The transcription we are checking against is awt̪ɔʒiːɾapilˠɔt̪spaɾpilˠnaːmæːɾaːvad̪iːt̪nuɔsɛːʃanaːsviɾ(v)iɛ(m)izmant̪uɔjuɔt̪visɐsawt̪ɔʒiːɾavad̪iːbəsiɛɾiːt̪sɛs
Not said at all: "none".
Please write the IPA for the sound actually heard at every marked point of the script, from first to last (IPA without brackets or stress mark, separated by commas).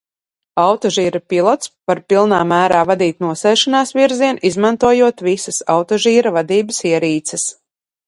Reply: z, n